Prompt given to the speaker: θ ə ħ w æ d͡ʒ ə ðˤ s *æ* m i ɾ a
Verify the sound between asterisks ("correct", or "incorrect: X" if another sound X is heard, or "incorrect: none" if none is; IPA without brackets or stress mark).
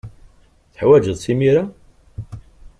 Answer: incorrect: i